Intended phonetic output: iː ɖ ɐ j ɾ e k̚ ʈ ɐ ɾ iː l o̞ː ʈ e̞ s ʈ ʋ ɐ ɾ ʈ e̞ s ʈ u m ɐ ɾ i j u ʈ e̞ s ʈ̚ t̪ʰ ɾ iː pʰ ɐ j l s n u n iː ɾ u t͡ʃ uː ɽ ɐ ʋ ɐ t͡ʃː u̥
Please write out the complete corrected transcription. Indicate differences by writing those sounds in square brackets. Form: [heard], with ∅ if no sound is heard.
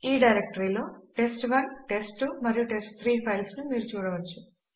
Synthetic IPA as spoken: iː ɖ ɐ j ɾ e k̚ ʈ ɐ ɾ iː l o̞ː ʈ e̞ s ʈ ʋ ɐ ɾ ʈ e̞ s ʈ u m ɐ ɾ i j u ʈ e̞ s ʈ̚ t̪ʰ ɾ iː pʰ ɐ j l s n u [m] iː ɾ u t͡ʃ uː ɽ ɐ ʋ ɐ t͡ʃː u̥